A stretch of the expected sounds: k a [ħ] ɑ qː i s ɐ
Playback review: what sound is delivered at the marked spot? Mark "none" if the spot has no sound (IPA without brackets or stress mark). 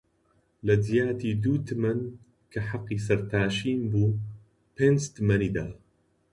ħ